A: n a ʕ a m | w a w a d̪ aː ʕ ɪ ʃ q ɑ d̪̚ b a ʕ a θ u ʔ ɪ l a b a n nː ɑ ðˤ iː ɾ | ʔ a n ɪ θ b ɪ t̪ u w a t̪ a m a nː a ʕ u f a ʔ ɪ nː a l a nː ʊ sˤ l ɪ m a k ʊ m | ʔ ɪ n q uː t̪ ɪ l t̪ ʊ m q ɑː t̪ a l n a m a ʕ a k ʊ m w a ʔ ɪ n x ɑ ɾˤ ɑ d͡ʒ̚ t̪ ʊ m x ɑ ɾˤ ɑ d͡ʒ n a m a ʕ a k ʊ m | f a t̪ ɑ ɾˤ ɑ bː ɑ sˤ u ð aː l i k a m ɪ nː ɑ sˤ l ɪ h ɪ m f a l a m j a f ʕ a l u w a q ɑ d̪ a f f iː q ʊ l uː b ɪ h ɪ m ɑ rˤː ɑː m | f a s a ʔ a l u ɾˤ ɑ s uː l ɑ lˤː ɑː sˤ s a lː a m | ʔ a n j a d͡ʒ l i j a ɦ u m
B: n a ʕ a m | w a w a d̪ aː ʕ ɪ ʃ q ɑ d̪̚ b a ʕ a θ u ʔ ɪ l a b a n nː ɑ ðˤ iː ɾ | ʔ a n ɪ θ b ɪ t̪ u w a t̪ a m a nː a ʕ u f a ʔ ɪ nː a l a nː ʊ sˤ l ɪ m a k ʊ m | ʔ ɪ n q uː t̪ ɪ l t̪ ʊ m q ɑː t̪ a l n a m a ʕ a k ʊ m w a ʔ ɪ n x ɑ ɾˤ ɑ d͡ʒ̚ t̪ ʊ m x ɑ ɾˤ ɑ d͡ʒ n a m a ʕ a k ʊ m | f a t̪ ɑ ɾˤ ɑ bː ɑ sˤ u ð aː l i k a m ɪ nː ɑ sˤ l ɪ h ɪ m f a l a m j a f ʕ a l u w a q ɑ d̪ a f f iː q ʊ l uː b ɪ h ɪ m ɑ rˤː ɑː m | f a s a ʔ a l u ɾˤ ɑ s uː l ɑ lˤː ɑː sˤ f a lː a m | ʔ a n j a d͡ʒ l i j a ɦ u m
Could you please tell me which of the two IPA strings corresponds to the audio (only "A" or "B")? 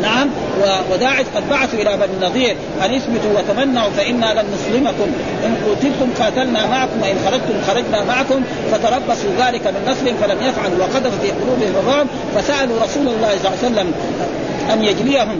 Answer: A